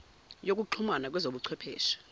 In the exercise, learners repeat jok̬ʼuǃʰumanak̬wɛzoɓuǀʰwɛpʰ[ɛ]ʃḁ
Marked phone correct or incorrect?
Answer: incorrect